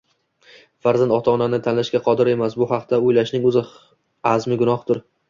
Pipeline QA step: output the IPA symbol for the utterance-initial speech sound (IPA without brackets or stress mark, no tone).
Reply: f